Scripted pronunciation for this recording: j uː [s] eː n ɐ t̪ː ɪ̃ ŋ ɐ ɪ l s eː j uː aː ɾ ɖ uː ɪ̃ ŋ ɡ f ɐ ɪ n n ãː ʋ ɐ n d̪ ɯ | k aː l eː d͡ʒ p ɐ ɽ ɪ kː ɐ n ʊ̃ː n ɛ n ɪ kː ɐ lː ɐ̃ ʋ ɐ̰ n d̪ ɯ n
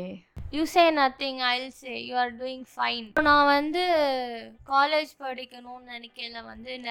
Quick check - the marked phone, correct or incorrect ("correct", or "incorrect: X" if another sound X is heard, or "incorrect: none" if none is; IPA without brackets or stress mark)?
correct